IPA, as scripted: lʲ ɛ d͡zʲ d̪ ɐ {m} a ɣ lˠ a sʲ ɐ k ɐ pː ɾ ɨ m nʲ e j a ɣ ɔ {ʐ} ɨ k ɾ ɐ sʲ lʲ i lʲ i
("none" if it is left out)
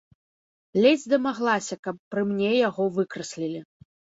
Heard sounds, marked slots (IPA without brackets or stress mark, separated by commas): m, v